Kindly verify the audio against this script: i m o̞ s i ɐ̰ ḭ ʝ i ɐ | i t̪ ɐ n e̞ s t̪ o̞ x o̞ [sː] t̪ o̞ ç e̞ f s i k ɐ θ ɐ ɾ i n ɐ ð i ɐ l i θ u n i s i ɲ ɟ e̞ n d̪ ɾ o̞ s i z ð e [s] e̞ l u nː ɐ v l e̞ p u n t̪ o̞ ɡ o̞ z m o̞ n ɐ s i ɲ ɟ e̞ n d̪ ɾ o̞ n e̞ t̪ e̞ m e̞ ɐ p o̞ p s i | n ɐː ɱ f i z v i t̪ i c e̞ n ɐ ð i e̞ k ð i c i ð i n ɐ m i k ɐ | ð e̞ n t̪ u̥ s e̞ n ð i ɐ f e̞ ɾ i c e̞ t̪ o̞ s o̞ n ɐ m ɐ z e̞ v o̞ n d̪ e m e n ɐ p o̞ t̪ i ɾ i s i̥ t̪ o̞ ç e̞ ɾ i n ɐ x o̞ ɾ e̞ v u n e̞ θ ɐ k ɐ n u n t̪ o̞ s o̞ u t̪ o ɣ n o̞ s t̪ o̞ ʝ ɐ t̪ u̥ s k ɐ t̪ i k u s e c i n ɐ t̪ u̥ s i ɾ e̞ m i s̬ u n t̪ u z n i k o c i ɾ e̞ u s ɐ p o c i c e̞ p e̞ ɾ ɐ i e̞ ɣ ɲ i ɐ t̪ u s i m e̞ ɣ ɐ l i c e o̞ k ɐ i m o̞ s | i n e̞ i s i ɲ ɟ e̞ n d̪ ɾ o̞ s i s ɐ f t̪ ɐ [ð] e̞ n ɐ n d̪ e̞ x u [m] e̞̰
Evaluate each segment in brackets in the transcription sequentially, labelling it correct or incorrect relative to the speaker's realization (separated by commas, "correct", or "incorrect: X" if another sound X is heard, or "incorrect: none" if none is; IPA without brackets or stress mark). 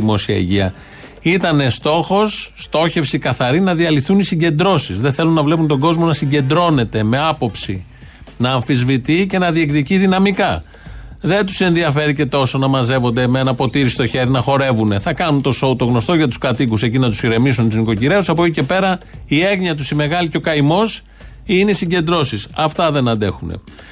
correct, incorrect: θ, correct, incorrect: n